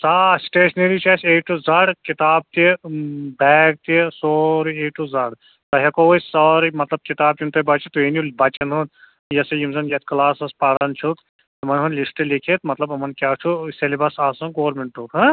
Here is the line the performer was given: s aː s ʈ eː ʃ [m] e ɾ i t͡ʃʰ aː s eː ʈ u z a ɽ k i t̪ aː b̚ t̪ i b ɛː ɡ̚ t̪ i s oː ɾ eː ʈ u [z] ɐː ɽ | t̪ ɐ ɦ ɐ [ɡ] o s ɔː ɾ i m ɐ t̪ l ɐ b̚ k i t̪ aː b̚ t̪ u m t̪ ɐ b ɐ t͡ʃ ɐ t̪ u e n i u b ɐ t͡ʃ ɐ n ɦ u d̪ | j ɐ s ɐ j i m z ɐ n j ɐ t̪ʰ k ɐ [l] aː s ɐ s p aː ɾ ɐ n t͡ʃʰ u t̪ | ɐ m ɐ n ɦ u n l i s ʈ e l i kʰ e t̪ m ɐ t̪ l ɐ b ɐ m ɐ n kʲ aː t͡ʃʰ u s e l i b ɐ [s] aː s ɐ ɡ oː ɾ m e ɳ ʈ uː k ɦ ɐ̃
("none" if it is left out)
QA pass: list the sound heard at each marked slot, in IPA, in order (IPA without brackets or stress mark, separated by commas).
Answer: n, z, k, l, s